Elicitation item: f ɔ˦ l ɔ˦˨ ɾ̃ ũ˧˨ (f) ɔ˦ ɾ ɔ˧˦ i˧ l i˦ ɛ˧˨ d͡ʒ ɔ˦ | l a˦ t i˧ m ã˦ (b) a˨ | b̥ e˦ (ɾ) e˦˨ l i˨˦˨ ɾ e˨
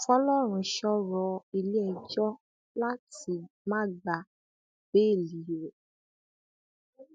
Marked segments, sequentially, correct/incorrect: incorrect, incorrect, incorrect

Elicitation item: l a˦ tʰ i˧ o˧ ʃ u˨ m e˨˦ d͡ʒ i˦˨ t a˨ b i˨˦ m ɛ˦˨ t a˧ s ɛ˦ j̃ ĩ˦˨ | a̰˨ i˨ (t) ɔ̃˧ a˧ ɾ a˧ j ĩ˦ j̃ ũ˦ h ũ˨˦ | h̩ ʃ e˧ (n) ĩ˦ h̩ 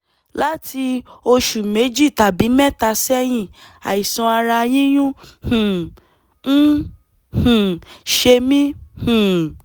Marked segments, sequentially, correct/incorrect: incorrect, incorrect

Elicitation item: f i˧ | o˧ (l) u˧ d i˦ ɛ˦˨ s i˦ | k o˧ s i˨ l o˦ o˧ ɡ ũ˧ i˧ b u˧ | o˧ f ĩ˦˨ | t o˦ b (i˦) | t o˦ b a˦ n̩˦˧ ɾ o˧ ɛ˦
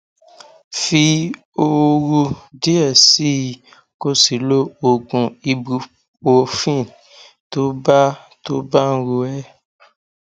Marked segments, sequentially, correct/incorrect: incorrect, incorrect

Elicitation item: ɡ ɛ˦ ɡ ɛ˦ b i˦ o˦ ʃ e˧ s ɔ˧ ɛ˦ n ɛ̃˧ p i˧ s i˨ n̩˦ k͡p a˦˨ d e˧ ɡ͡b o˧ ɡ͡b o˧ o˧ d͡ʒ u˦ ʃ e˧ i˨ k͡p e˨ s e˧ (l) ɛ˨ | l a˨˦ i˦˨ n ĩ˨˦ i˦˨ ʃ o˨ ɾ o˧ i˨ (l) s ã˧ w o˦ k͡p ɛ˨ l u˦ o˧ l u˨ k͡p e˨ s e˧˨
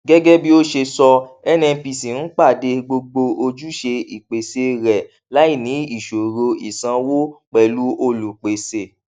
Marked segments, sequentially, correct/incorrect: incorrect, incorrect

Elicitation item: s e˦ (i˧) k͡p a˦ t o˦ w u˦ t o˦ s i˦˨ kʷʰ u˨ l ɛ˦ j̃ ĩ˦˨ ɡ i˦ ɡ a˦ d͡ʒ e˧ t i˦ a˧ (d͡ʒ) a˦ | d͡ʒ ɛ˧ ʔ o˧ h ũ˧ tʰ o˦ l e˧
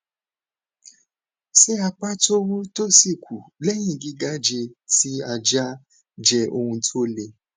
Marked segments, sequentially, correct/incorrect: incorrect, correct

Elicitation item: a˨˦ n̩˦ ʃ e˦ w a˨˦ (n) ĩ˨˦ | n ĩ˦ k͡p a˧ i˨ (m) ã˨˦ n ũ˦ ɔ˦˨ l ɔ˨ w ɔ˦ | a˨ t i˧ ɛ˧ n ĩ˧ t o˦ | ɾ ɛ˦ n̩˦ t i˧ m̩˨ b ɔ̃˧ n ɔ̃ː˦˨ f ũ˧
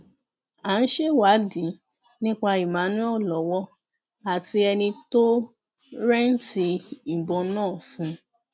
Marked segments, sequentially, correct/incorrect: incorrect, correct

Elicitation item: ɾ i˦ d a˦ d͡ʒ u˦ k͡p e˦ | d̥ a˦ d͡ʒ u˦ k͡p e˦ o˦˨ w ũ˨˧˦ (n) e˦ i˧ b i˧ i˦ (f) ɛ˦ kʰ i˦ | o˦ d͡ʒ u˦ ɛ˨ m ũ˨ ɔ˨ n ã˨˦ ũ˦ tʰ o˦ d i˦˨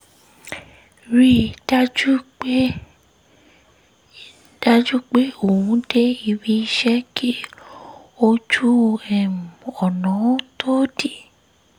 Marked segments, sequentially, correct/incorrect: incorrect, incorrect

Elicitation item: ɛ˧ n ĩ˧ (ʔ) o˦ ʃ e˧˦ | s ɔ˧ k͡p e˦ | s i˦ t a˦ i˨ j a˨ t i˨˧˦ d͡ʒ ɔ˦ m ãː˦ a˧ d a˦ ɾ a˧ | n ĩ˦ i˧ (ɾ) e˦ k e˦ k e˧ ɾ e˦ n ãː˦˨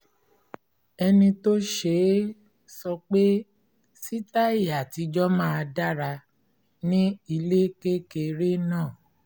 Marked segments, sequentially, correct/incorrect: incorrect, incorrect

